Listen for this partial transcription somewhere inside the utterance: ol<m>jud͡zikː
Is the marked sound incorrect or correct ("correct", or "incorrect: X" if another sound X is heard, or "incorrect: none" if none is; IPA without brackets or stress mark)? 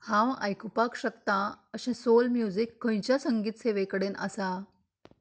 correct